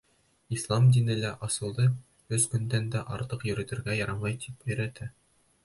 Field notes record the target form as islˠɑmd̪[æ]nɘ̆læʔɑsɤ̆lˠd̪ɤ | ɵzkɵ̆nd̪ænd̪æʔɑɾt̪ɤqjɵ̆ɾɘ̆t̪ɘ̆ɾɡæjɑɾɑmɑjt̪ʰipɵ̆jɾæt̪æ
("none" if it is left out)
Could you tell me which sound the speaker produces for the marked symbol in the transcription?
i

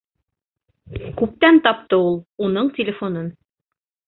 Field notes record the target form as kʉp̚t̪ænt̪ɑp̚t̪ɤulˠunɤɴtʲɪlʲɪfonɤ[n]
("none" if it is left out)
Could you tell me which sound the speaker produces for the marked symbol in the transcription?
n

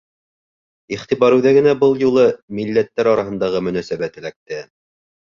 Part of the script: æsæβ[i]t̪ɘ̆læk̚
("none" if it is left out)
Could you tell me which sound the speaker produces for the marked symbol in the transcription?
æ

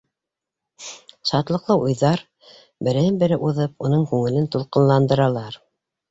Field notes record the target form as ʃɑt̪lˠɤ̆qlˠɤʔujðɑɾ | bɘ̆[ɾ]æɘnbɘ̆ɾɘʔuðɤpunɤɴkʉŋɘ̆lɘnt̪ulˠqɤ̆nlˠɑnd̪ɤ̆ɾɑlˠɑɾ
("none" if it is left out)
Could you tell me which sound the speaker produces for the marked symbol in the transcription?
ɾ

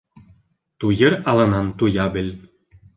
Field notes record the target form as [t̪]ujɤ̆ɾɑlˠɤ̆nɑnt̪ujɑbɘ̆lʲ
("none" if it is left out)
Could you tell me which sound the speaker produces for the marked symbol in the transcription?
t̪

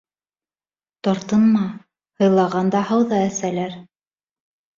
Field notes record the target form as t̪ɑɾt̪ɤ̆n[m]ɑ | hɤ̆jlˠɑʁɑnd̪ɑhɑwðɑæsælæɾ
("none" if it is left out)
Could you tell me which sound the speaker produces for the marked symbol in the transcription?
m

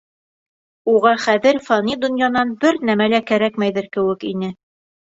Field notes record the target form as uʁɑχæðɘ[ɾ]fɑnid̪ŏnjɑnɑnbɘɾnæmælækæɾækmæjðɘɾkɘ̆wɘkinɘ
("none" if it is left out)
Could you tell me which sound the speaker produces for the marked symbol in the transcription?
ɾ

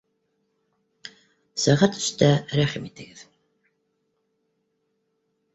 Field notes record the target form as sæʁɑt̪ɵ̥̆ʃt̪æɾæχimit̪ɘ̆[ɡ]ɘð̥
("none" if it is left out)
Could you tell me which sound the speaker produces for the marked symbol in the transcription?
ɡ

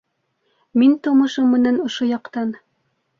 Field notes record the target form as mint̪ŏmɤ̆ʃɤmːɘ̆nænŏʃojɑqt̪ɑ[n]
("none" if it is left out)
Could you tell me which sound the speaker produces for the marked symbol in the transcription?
n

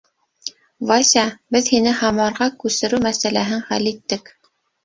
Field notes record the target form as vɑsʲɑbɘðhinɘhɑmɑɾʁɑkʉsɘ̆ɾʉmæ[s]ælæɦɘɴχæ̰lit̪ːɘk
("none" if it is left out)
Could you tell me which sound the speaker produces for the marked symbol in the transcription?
s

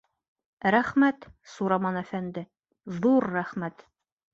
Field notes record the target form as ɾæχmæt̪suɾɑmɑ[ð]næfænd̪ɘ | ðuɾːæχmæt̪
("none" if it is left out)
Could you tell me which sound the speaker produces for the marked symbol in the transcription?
none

